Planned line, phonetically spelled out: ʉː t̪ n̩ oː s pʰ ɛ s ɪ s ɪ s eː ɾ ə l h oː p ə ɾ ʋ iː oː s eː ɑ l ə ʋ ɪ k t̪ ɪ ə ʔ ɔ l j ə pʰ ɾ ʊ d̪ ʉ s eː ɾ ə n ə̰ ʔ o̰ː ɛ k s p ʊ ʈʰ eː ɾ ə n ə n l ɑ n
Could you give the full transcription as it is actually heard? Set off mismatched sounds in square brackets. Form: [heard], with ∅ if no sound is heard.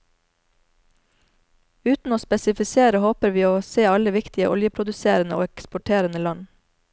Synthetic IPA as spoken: ʉː t̪ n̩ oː s [p] ɛ s ɪ [f] ɪ s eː ɾ ə [∅] h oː p ə ɾ ʋ iː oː s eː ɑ l ə ʋ ɪ k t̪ ɪ ə ʔ ɔ l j ə pʰ ɾ ʊ d̪ ʉ s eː ɾ ə n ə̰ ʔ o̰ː ɛ k s p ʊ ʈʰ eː ɾ ə n ə [∅] l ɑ n

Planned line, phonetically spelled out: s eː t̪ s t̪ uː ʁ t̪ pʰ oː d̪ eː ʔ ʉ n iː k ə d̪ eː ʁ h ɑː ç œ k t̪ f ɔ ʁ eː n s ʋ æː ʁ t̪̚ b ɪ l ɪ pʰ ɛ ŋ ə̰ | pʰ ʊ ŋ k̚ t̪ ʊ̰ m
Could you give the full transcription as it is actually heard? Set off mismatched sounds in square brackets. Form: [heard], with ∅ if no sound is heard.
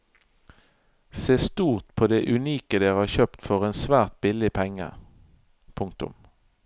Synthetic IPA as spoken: s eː [∅] s t̪ uː ʁ t̪ pʰ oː d̪ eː ʔ ʉ n iː k ə d̪ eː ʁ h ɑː ç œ [p] t̪ f ɔ ʁ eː n s ʋ æː ʁ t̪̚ b ɪ l ɪ pʰ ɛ ŋ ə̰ | pʰ ʊ ŋ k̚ t̪ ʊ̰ m

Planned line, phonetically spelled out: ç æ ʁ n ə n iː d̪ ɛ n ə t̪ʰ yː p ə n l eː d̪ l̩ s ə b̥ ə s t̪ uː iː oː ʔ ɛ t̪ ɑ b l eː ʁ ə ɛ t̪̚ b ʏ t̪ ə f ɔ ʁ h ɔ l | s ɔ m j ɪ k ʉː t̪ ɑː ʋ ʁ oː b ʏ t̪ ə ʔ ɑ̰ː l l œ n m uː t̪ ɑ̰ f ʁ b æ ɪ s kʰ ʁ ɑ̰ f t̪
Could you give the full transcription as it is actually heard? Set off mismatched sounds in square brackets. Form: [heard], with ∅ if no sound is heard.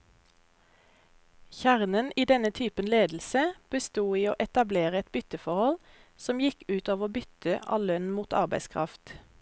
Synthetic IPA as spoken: ç æ ʁ n ə n iː d̪ ɛ n ə t̪ʰ yː p ə n l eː d̪ l̩ s ə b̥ ə s t̪ uː iː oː ʔ ɛ t̪ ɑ b l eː ʁ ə ɛ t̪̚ b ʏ t̪ ə f ɔ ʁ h ɔ l | s ɔ m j ɪ k ʉː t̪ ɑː ʋ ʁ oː b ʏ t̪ ə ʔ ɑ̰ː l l œ n m uː t̪ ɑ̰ [∅] ʁ b æ ɪ s kʰ ʁ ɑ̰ f t̪

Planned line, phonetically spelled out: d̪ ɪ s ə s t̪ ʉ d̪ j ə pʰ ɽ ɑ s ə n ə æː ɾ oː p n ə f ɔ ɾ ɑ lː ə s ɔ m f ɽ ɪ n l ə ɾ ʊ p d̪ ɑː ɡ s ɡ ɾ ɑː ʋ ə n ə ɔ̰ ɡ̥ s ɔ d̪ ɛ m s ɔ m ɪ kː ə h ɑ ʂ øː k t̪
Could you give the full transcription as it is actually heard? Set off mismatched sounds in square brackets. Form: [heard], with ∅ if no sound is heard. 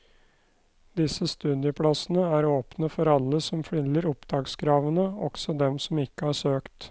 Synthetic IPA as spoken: d̪ ɪ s ə s t̪ ʉ d̪ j ə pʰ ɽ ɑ s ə n ə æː ɾ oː p n ə f ɔ ɾ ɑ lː ə s ɔ m f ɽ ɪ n l ə ɾ ʊ p d̪ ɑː ɡ s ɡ ɾ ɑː ʋ ə n ə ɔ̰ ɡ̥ s ɔ d̪ ɛ m s ɔ m ɪ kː ə h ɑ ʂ øː k t̪

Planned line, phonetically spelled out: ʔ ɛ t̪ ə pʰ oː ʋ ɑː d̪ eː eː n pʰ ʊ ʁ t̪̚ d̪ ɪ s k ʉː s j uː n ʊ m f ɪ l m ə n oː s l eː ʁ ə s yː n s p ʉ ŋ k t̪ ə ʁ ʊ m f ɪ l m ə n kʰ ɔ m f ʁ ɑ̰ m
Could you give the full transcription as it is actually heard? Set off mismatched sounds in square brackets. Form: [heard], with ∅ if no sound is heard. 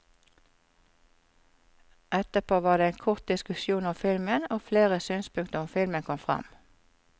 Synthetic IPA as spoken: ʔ ɛ t̪ ə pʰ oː ʋ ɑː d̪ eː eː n [kʰ] ʊ ʁ t̪̚ d̪ ɪ s k [ʉ] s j uː n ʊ m f ɪ l m ə n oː [f] l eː ʁ ə s yː n s p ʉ ŋ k t̪ ə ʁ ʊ m f ɪ l m ə n kʰ ɔ m f ʁ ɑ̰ m

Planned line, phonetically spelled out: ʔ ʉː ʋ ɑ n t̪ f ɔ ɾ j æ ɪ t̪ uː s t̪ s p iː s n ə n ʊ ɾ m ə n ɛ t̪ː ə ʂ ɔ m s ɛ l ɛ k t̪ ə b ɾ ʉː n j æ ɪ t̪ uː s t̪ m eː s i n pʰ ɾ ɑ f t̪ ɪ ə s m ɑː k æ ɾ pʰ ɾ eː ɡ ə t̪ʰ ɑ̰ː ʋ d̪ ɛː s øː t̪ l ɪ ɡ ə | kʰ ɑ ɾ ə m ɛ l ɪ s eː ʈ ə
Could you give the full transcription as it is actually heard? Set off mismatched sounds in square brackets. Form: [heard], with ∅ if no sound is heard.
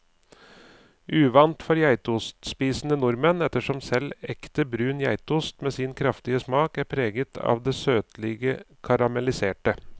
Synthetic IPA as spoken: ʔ ʉː ʋ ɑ n t̪ f ɔ ɾ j æ ɪ t̪ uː s t̪ s p iː s n ə n ʊ ɾ m ə n ɛ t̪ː ə ʂ ɔ m s ɛ l ɛ k t̪ ə b ɾ ʉː n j æ ɪ t̪ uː s t̪ m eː s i n [kʰ] ɾ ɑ f t̪ ɪ ə s m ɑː k æ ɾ pʰ ɾ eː ɡ ə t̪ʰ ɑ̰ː ʋ d̪ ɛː s øː t̪ l ɪ ɡ ə | kʰ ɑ ɾ [ɑ] m ɛ l ɪ s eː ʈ ə

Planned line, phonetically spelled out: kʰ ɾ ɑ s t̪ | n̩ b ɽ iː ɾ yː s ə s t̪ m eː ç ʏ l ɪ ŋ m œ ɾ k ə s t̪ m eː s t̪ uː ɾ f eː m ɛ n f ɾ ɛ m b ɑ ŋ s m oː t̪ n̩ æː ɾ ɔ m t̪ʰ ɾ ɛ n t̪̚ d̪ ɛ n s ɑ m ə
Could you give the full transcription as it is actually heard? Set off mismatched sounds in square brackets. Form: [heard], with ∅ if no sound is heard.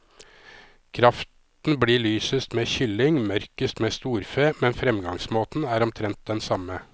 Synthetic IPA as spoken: kʰ ɾ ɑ [f] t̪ | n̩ b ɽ iː [ɭ] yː s ə s t̪ m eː ç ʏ l ɪ ŋ m œ ɾ k ə s t̪ m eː s t̪ uː ɾ f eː m ɛ n f ɾ ɛ m [ɡ] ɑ ŋ s m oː t̪ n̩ æː ɾ ɔ m t̪ʰ ɾ ɛ n t̪̚ d̪ ɛ n s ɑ m ə

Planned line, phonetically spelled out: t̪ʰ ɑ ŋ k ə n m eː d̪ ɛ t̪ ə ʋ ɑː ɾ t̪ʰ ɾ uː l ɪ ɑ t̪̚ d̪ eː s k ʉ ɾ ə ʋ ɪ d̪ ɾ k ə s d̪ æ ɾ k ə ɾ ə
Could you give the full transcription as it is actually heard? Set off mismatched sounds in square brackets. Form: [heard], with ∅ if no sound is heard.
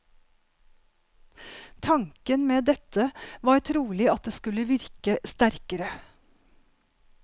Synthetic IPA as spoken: t̪ʰ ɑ ŋ k ə n m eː d̪ ɛ t̪ ə ʋ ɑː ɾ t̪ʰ ɾ uː l ɪ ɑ t̪̚ d̪ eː s k ʉ [l] ə ʋ ɪ [∅] ɾ k ə s [t̪] æ ɾ k ə ɾ ə

